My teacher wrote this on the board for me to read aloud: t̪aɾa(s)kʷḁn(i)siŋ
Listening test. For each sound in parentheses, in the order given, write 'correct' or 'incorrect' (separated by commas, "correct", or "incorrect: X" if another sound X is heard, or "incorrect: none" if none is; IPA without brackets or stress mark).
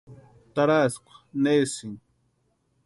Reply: correct, incorrect: e